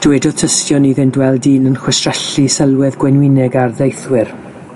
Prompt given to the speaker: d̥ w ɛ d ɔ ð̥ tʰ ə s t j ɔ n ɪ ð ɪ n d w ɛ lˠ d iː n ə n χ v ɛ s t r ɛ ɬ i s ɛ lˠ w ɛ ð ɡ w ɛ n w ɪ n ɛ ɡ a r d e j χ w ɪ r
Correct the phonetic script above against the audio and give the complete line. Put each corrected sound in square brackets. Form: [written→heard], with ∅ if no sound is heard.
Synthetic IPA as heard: d̥ w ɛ d ɔ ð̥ tʰ ə s t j ɔ n [ɪ→i] ð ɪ n d w ɛ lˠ d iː n ə n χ [v→w] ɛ s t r ɛ ɬ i s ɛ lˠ w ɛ ð ɡ w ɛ n w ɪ n ɛ ɡ a r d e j [χ→θ] w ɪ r